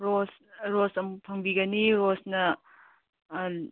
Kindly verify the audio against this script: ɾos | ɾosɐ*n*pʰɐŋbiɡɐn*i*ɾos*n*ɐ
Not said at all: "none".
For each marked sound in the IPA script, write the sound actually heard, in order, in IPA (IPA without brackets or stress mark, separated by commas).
m, i, n